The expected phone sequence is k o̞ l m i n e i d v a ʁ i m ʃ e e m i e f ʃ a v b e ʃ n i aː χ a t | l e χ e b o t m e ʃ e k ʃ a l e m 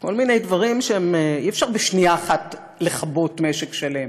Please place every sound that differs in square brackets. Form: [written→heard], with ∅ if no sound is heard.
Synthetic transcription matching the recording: k o̞ l m i n e [i→j] d v a ʁ i m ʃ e e m i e f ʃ a [v→ʁ] b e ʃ n i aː χ a t | l e χ [e→a] b o t m e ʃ e k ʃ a l e m